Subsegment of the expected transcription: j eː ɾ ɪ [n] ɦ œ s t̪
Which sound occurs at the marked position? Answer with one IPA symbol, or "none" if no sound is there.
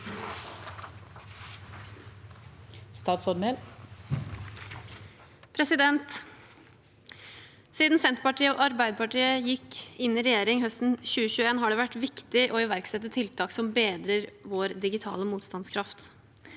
ŋ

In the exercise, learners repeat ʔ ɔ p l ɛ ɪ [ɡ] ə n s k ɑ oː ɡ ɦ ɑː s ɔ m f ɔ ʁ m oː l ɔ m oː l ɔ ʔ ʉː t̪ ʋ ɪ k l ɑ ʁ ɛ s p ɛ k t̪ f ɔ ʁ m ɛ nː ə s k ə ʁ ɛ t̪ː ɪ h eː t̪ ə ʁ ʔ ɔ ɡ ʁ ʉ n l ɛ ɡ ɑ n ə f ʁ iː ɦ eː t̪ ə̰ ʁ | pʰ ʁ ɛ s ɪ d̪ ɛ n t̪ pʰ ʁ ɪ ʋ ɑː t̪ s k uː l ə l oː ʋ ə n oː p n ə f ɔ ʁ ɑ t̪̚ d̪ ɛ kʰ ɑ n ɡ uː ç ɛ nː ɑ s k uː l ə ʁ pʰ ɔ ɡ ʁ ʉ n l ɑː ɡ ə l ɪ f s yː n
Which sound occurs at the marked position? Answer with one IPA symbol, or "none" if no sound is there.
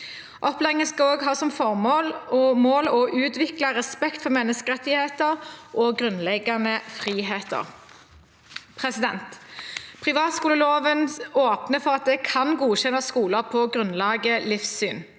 ŋ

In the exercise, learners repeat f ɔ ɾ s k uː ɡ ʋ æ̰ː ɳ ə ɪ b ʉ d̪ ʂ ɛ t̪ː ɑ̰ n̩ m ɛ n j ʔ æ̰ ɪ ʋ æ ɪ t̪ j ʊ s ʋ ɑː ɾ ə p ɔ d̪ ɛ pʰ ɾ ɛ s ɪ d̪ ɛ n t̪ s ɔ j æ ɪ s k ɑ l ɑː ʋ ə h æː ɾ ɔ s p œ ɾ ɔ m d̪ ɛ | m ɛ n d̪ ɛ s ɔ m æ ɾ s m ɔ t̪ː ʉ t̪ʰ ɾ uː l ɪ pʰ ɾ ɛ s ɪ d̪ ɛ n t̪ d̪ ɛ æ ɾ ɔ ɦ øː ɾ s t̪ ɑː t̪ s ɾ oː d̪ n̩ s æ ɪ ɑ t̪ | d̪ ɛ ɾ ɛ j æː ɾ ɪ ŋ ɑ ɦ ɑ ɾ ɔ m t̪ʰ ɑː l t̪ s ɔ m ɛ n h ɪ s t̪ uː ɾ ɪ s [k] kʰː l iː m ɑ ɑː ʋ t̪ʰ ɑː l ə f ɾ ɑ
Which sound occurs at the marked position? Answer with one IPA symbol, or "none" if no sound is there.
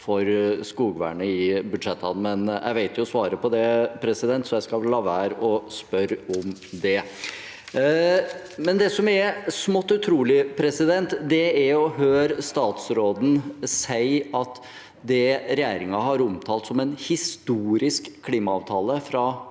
k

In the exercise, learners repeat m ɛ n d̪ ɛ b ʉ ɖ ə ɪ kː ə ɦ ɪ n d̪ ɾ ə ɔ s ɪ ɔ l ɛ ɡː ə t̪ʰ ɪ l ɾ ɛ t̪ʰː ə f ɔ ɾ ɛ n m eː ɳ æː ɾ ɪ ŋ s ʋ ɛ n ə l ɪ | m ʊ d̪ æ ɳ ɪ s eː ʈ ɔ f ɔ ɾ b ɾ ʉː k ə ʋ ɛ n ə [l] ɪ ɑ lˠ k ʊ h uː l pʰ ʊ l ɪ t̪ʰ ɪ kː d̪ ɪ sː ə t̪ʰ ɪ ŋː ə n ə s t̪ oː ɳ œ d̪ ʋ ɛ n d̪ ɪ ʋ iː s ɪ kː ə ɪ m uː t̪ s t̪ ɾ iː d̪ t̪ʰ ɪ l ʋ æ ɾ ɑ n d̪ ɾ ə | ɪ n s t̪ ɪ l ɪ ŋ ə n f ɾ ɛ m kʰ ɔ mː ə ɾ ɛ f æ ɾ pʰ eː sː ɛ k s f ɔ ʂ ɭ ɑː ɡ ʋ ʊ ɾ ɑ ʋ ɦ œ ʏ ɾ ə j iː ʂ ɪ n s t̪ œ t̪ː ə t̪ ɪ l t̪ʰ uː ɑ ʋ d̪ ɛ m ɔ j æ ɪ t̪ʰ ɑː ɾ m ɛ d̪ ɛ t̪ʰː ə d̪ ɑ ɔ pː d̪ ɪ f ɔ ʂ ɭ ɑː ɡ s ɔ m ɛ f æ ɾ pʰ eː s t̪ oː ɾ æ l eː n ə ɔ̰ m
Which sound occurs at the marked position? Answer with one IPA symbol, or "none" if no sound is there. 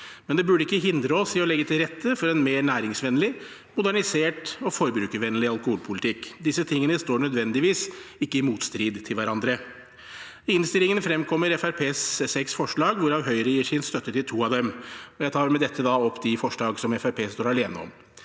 l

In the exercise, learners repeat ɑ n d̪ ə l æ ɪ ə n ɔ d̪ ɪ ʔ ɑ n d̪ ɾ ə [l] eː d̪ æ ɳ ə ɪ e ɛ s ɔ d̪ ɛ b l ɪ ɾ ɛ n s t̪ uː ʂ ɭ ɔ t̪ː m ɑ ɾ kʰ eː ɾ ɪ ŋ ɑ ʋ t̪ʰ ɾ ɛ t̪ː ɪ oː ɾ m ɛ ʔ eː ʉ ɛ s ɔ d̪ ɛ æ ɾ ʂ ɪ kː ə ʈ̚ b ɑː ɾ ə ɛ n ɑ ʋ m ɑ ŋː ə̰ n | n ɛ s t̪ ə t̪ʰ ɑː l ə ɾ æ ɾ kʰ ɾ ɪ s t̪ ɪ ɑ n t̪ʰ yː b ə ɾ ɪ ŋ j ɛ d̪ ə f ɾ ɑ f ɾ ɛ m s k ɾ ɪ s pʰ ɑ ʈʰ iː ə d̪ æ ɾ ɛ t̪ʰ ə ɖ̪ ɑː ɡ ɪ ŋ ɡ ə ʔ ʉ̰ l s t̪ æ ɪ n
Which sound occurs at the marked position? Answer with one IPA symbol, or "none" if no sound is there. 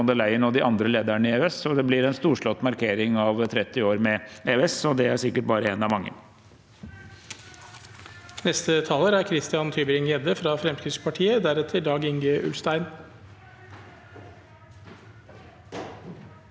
l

